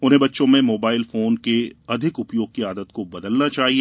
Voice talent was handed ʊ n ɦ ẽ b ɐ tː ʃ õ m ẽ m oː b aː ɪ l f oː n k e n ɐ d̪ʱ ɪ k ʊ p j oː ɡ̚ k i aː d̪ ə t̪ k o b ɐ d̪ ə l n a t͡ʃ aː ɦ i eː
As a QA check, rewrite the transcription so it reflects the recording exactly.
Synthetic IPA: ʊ n ɦ ẽ b ɐ tː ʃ õ m ẽ m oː b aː ɪ l f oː n k e ɐ d̪ʱ ɪ k ʊ p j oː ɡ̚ k i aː d̪ ə t̪ k o b ɐ d̪ ə l n a t͡ʃ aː ɦ i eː